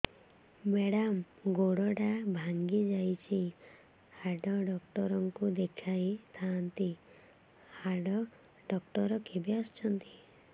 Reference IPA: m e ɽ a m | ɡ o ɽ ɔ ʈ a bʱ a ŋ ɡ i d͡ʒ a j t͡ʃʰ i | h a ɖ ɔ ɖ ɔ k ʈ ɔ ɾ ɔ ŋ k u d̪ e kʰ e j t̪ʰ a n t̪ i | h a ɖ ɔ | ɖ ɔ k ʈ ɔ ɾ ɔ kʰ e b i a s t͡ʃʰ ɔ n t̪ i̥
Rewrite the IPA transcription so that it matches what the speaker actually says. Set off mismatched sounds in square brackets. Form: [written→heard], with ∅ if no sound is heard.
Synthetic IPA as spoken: m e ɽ a m | ɡ o ɽ ɔ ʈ a bʱ a ŋ ɡ i d͡ʒ a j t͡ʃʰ i | h a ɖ ɔ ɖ ɔ k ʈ ɔ ɾ ɔ ŋ k u d̪ e kʰ [e→a] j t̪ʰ a n t̪ i | h a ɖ ɔ | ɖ ɔ k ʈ ɔ ɾ ɔ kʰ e b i a s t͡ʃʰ ɔ n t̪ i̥